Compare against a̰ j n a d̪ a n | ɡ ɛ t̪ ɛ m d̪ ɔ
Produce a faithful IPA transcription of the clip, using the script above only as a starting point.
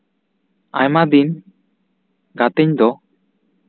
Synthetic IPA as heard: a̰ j m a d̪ i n | ɡ a t̪ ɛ ɲ d̪ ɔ